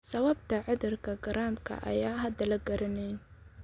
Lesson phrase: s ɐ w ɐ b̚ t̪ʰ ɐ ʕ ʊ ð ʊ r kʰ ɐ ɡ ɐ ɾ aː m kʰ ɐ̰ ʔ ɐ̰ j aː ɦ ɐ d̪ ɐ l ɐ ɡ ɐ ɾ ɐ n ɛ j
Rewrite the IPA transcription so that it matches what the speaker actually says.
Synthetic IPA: s ɐ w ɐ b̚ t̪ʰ ɐ ʕ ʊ ð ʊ r kʰ ɐ ɡ ɐ ɾ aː m kʰ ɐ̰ ʔ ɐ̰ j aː ɦ ɐ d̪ ɐ l ɐ ɡ ɐ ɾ ɐ n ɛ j